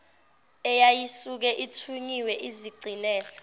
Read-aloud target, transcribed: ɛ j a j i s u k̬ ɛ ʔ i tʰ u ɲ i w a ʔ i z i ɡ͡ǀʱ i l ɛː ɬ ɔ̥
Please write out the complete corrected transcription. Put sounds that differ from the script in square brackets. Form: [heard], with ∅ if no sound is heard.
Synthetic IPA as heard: ɛ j a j i s u k̬ ɛ ʔ i tʰ u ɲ i w [ɛ] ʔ i z i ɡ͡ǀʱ i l ɛː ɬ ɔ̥